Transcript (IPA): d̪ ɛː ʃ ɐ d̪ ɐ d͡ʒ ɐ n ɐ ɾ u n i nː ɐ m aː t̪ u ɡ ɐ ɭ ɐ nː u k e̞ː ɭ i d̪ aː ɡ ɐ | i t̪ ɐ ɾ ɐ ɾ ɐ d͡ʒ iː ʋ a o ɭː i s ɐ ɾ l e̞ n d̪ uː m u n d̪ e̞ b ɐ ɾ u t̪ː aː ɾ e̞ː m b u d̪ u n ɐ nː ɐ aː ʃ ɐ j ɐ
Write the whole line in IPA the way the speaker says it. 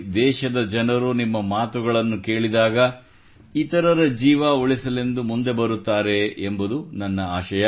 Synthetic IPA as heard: d̪ ɛː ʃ ɐ d̪ ɐ d͡ʒ ɐ n ɐ ɾ u n i mː ɐ m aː t̪ u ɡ ɐ ɭ ɐ nː u k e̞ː ɭ i d̪ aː ɡ ɐ | i t̪ ɐ ɾ ɐ ɾ ɐ d͡ʒ iː ʋ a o ɭ i s ɐ l e̞ n d̪ u m u n d̪ e̞ b ɐ ɾ u t̪ː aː ɾ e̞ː m b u d̪ u n ɐ nː ɐ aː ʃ ɐ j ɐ

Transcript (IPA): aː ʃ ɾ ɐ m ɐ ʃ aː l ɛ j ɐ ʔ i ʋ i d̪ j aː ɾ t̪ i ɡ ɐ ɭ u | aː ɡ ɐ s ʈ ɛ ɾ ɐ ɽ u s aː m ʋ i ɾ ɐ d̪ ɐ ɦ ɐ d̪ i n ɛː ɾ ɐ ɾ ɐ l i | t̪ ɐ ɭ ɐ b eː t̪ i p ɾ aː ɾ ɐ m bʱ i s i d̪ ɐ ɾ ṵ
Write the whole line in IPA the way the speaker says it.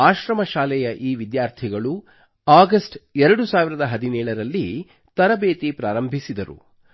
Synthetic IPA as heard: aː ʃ ɾ ɐ m ɐ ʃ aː l ɛ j ɐ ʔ iː ʋ i d̪ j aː ɾ t̪ʰ i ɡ ɐ ɭ u | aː ɡ ɐ s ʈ ɛ ɾ ɐ ɽ u s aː ʋ i ɾ ɐ d̪ ɐ ɦ ɐ d̪ i n ɛː ɭ ɐ ɾ ɐ lː i | t̪ ɐ ɾ ɐ b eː t̪ i p ɾ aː ɾ ɐ m bʱ i s i d̪ ɐ ɾ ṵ

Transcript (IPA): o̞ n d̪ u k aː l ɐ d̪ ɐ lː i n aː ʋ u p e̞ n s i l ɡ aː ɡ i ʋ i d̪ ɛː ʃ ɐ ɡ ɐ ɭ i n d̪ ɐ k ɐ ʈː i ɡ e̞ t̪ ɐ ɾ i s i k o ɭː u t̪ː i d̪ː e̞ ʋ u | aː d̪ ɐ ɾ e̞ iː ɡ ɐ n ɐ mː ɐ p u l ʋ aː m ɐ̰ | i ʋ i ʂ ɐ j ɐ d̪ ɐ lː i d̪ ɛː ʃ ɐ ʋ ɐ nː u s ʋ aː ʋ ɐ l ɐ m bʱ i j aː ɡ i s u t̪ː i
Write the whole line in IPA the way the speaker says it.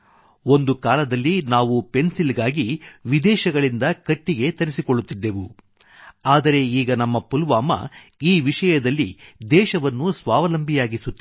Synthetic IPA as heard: o̞ n d̪ u k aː l ɐ d̪ ɐ lː i n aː ʋ u p e̞ n s i l ɡ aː ɡ i ʋ i d̪ ɛː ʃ ɐ ɡ ɐ ɭ i n d̪ ɐ k ɐ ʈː i ɡ e̞ t̪ ɐ ɾ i s i k o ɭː u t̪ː i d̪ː e̞ ʋ u | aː d̪ ɐ ɾ e̞ iː ɡ ɐ n ɐ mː ɐ p u l ʋ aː m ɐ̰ | iː ʋ i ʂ ɐ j ɐ d̪ ɐ lː i d̪ ɛː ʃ ɐ ʋ ɐ nː u s ʋ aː ʋ ɐ l ɐ m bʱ i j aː ɡ i s u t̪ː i

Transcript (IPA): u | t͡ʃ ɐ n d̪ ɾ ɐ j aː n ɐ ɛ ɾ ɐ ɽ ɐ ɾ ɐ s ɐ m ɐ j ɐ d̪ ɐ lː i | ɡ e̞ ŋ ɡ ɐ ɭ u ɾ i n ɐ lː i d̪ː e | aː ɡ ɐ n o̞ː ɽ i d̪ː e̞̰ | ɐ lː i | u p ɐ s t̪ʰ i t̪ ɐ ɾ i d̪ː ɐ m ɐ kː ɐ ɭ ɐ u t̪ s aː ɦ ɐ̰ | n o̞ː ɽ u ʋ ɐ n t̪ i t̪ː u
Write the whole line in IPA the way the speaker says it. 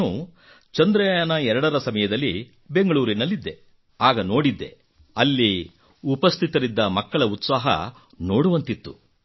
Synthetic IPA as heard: u | t͡ʃ ɐ n d̪ ɾ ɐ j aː n ɐ ɛ ɾ ɐ ɽ ɐ ɾ ɐ s ɐ m ɐ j ɐ d̪ ɐ lː i | b e̞ ŋ ɡ ɐ ɭ uː ɾ i n ɐ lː i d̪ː e | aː ɡ ɐ n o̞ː ɽ i d̪ː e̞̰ | ɐ lː i | u p ɐ s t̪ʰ i t̪ ɐ ɾ i d̪ː ɐ m ɐ kː ɐ ɭ ɐ u t̪ s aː ɦ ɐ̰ | n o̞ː ɽ u ʋ ɐ n t̪ i t̪ː u

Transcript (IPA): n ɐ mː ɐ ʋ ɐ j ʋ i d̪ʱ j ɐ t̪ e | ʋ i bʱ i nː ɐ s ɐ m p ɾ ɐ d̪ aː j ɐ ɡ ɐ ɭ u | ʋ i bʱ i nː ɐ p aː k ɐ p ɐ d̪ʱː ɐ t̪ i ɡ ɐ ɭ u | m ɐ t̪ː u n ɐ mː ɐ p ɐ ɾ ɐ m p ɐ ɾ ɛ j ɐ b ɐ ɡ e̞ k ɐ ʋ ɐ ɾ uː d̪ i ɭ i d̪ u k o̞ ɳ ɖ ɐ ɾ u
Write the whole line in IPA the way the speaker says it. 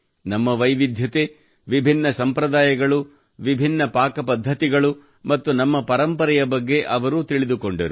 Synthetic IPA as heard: n ɐ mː ɐ ʋ ɐ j ʋ i d̪ʱ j ɐ t̪ e | ʋ i bʱ i nː ɐ s ɐ m p ɾ ɐ d̪ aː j ɐ ɡ ɐ ɭ u | ʋ i bʱ i nː ɐ p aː k ɐ p ɐ d̪ʱː ɐ t̪ i ɡ ɐ ɭ u | m ɐ t̪ː u n ɐ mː ɐ p ɐ ɾ ɐ m p ɐ ɾ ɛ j ɐ b ɐ ɡː e̞ ʔ ɐ ʋ ɐ ɾ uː t̪ i ɭ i d̪ u k o̞ ɳ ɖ ɐ ɾ u

